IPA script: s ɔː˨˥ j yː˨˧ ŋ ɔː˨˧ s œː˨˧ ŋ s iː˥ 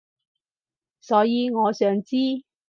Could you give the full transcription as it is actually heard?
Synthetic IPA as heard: s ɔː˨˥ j iː˨˧ ŋ ɔː˨˧ s œː˨˧ ŋ t͡s iː˥